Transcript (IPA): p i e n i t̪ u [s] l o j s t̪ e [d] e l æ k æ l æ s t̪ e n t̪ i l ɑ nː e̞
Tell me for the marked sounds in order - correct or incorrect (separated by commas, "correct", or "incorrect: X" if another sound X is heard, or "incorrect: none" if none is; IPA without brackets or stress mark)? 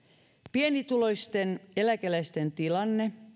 incorrect: none, incorrect: n